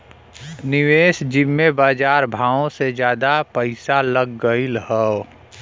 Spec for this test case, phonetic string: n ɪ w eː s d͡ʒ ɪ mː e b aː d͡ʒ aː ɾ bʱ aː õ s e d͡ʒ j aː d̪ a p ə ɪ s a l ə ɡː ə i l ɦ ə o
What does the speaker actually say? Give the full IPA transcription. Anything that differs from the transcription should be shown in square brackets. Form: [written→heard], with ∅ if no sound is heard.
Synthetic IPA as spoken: n ɪ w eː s d͡ʒ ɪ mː e b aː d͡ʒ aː ɾ bʱ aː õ s e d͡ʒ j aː d̪ a p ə ɪ s a l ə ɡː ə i l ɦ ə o